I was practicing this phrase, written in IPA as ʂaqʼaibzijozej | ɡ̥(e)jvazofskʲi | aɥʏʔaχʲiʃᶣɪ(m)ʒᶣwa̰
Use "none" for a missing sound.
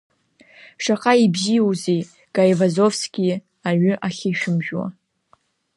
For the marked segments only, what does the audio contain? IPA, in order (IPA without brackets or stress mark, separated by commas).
a, m